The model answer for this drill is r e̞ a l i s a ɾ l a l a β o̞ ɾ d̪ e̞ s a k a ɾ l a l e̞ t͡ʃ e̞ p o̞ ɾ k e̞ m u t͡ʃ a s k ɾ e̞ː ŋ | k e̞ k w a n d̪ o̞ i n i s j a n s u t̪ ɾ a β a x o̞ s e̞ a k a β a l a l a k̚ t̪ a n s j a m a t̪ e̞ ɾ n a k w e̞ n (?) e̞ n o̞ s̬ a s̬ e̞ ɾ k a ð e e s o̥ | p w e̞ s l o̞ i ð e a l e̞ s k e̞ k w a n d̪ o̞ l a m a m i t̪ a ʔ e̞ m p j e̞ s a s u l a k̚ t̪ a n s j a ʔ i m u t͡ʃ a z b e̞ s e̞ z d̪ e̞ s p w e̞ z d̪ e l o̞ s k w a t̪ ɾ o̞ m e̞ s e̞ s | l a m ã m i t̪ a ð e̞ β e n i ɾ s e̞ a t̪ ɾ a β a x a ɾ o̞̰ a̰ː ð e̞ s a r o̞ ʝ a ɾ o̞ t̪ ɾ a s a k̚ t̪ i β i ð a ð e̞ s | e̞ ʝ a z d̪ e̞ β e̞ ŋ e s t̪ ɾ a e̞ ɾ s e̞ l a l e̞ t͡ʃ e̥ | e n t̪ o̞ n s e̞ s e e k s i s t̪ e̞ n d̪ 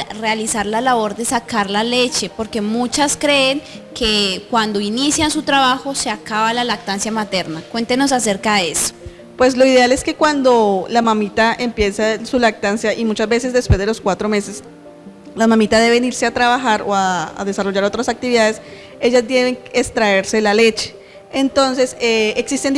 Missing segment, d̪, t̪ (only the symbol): t̪